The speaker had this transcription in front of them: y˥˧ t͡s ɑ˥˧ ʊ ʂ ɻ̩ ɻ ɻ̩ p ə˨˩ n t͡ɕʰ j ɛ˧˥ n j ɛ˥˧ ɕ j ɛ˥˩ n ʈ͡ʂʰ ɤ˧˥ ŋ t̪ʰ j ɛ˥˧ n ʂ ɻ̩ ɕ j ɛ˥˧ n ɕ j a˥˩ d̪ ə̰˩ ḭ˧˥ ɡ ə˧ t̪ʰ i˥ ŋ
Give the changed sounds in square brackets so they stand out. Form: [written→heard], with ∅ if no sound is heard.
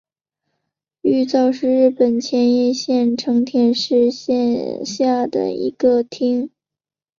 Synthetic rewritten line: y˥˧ t͡s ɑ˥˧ ʊ ʂ ɻ̩ ɻ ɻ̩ p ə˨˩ n t͡ɕʰ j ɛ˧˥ n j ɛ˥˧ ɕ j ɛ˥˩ n ʈ͡ʂʰ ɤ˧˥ ŋ t̪ʰ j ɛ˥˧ n ʂ ɻ̩ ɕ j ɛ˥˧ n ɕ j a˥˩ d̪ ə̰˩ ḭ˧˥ ɡ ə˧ t̪ʰ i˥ ŋ